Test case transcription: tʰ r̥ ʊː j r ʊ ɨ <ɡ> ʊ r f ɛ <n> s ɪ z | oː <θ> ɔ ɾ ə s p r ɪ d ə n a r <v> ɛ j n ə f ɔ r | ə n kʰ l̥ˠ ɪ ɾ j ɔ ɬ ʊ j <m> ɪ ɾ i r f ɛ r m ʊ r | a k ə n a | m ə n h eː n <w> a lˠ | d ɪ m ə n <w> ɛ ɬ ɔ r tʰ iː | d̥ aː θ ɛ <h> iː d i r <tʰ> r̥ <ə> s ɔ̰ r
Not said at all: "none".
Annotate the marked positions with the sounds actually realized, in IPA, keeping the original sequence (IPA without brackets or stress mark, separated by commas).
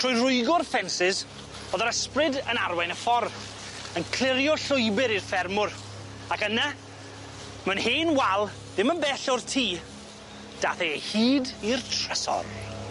ɡ, n, ð, w, b, w, b, h, tʰ, ə